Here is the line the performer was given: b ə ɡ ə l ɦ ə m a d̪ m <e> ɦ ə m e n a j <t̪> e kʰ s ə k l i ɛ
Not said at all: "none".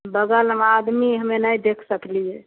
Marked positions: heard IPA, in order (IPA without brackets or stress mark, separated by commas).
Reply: i, d̪